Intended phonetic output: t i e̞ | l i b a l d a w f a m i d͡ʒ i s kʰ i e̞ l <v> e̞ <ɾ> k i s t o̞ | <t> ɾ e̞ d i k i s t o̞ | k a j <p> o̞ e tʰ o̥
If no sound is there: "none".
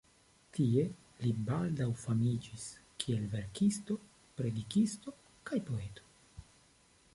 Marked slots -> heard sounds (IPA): v, ɾ, p, p

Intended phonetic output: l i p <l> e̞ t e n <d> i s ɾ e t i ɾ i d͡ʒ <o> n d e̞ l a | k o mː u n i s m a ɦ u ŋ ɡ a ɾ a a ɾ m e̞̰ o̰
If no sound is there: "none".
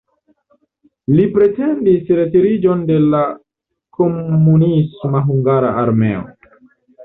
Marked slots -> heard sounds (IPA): ɾ, d, o

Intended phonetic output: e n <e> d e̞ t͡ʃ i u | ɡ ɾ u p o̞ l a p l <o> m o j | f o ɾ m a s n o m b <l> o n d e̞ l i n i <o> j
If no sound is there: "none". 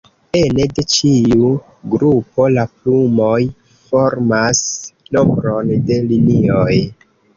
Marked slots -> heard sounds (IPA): e, u, ɾ, o

